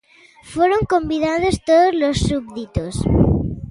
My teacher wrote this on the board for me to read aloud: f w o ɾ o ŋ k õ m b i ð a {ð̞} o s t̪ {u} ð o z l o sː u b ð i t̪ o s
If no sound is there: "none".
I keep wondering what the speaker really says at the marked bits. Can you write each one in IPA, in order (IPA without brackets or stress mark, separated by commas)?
ð̞, o